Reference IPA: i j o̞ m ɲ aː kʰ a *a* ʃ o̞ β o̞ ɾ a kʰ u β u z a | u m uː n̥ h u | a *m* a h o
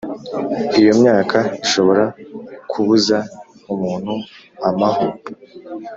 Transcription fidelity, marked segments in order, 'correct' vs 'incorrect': incorrect: i, correct

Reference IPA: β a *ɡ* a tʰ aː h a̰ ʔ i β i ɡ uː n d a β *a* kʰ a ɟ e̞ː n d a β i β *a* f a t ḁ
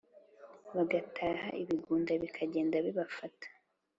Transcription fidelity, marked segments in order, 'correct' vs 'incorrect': correct, incorrect: i, correct

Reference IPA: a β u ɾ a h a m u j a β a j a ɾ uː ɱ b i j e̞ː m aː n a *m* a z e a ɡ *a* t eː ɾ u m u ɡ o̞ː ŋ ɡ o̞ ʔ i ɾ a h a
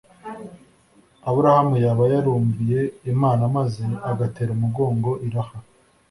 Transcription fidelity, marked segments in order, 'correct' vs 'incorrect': correct, correct

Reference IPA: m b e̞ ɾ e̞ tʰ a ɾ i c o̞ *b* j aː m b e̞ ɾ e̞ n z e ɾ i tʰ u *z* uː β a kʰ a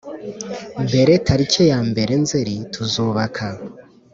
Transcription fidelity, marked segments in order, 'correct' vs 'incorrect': incorrect: none, correct

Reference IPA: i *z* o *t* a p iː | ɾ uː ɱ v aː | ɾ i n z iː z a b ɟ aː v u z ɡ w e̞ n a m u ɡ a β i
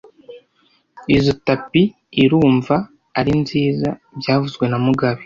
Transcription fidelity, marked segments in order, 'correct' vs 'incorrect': correct, correct

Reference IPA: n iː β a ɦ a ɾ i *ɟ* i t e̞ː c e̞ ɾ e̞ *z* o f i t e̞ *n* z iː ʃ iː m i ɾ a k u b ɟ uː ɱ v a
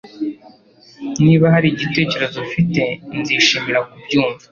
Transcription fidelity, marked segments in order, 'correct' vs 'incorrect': correct, correct, correct

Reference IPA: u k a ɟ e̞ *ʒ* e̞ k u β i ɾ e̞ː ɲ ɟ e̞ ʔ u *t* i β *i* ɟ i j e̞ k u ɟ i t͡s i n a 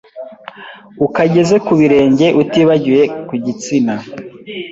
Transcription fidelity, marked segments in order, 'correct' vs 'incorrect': incorrect: z, correct, incorrect: a

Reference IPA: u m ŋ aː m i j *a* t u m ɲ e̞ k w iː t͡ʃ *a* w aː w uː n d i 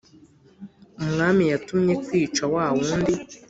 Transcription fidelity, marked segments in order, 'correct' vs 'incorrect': correct, correct

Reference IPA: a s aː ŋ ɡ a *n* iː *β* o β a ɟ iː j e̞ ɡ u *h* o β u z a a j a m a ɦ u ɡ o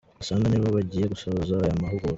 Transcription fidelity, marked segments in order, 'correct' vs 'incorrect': correct, correct, incorrect: s

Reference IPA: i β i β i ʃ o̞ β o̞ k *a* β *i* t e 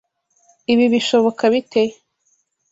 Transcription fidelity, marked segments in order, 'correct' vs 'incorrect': correct, correct

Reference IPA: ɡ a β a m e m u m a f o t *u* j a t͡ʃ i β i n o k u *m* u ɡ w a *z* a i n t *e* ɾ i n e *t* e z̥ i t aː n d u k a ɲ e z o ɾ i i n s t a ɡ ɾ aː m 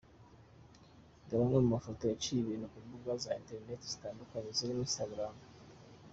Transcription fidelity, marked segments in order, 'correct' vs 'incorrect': incorrect: o, incorrect: b, correct, correct, correct

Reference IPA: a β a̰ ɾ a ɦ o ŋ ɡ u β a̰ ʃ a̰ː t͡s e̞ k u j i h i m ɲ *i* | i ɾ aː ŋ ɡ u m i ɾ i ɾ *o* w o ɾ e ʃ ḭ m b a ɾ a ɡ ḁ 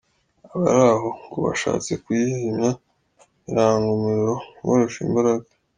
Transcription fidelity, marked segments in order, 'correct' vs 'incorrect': incorrect: a, correct

